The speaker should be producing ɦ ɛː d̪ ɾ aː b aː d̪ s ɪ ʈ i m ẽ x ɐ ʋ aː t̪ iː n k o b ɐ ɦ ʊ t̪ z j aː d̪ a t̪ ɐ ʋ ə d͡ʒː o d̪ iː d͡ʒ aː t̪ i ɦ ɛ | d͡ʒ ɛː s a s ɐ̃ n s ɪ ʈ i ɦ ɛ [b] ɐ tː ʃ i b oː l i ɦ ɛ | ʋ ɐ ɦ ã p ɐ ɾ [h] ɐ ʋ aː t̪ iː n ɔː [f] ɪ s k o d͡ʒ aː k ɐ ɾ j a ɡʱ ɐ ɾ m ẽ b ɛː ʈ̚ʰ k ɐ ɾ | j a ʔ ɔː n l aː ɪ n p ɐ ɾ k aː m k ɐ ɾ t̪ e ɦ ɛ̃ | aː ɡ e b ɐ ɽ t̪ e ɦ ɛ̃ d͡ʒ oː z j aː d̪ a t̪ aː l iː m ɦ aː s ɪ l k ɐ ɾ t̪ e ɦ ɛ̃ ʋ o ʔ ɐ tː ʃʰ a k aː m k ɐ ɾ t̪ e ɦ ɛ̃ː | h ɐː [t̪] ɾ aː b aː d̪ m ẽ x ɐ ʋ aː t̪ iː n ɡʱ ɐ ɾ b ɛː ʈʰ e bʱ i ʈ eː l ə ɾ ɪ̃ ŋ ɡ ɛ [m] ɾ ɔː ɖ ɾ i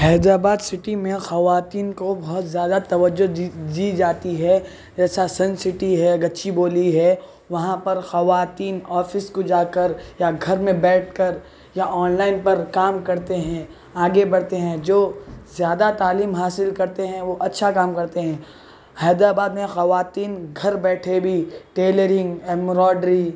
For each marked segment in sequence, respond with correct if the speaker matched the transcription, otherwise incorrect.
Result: incorrect: ɡ, incorrect: x, correct, incorrect: d̪, correct

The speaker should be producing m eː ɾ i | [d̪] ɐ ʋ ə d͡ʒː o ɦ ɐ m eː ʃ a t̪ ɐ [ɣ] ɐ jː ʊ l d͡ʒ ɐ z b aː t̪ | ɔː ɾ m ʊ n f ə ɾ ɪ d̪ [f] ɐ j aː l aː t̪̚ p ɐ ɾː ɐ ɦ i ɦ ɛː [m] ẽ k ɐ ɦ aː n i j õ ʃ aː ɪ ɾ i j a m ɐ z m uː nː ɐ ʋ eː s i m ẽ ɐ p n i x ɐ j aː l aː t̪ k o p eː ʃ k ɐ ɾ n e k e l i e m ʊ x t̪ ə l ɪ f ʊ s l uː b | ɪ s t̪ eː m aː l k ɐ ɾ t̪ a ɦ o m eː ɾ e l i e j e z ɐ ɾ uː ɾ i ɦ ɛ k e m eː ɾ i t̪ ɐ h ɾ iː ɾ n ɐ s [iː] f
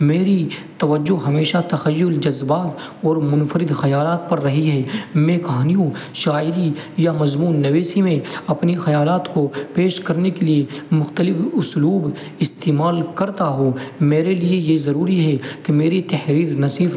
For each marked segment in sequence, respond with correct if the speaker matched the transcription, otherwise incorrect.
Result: incorrect: t̪, incorrect: x, incorrect: x, correct, correct

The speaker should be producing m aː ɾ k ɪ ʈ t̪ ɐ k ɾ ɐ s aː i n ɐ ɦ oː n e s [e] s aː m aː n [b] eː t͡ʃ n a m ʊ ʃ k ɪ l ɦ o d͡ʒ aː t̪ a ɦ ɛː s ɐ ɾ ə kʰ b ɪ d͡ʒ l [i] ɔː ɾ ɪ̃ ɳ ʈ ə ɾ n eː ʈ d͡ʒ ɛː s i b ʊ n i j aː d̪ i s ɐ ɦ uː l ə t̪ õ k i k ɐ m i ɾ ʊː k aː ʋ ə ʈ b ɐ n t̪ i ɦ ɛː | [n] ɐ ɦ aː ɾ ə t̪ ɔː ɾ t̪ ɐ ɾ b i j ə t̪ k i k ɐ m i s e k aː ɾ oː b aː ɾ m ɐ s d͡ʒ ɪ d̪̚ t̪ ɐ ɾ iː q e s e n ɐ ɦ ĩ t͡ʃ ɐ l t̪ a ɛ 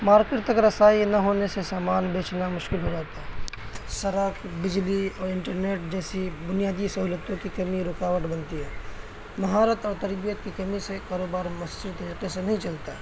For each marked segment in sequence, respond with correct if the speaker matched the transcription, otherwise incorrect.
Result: correct, correct, correct, incorrect: m

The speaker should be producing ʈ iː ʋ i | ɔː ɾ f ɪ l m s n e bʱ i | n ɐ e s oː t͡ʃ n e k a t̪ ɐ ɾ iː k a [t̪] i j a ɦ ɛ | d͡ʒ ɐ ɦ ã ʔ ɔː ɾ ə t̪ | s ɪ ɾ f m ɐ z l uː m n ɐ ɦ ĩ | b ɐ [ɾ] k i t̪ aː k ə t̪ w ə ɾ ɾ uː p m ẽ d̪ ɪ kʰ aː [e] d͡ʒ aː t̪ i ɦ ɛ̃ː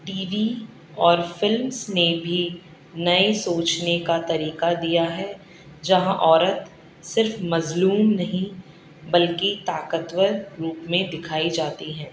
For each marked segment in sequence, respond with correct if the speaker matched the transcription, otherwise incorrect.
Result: incorrect: d̪, incorrect: l, incorrect: i

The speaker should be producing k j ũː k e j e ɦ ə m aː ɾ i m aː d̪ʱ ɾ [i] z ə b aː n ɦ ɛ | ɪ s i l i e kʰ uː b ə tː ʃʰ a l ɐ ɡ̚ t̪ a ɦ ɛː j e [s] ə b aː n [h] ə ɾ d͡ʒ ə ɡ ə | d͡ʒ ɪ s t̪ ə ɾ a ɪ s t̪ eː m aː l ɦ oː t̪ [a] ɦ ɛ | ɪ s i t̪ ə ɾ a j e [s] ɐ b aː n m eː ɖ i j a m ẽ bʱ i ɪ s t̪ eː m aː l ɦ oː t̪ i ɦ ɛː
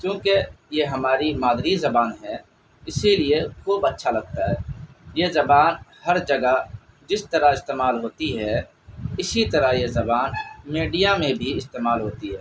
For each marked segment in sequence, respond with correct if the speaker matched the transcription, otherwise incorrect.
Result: correct, incorrect: z, correct, incorrect: i, incorrect: z

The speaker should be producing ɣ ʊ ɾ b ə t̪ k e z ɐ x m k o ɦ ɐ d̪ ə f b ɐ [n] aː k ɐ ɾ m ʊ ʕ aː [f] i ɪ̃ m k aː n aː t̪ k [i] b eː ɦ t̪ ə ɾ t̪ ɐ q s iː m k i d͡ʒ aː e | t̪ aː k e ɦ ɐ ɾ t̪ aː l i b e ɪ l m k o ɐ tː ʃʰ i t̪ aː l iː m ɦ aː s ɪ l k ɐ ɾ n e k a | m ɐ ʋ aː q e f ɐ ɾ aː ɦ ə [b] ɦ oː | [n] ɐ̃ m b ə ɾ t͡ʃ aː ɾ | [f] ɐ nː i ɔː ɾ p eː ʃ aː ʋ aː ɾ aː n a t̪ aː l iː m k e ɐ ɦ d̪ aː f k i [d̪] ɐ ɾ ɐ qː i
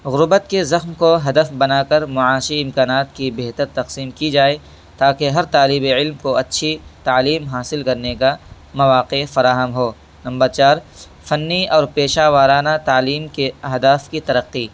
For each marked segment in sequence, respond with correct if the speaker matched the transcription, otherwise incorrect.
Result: correct, incorrect: ʃ, correct, incorrect: m, correct, correct, incorrect: t̪

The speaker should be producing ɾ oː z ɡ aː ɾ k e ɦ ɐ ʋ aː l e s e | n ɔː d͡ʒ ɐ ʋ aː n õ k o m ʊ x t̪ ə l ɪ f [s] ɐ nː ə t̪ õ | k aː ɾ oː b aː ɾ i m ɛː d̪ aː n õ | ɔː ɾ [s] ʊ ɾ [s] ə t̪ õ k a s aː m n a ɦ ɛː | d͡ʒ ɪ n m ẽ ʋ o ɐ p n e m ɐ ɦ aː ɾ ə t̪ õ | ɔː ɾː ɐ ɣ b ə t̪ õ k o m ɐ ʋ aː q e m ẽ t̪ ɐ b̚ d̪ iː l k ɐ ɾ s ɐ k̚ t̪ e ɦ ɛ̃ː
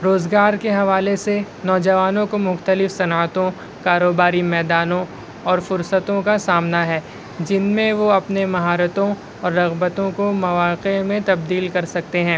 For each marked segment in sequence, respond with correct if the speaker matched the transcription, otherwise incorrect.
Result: correct, incorrect: f, correct

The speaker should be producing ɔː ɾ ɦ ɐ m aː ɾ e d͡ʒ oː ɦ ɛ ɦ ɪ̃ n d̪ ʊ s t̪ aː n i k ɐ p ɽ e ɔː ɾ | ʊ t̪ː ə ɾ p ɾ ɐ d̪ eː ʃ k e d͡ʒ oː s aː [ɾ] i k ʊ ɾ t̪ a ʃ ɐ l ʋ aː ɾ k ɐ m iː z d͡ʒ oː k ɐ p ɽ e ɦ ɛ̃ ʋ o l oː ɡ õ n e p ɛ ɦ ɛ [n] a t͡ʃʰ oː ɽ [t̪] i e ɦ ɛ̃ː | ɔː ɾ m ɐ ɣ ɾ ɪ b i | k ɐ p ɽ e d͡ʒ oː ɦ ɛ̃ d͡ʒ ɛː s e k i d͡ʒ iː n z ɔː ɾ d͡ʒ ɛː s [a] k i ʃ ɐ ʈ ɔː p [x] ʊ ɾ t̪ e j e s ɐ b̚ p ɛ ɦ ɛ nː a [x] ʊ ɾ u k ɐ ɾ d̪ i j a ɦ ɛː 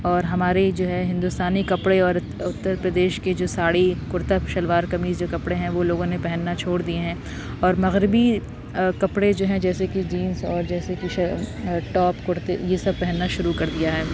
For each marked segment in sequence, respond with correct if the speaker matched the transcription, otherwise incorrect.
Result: incorrect: ɽ, incorrect: nː, incorrect: d̪, incorrect: e, incorrect: k, incorrect: ʃ

